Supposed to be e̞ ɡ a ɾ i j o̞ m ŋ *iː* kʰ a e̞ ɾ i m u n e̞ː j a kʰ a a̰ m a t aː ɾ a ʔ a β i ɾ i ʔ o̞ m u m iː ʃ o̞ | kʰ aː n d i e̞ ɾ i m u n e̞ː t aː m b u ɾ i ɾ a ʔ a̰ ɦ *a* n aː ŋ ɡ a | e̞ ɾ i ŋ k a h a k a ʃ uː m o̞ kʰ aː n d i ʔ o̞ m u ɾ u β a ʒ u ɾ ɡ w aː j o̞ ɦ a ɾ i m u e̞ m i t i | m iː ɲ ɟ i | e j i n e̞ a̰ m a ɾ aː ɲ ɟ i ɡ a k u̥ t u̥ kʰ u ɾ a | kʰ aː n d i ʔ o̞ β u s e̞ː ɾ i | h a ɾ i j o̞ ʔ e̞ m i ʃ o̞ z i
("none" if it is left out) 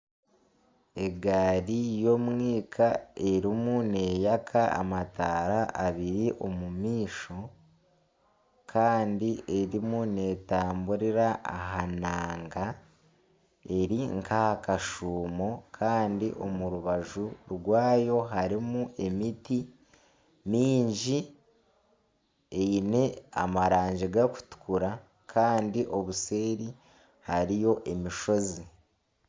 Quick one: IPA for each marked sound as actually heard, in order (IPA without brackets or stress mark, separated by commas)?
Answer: iː, a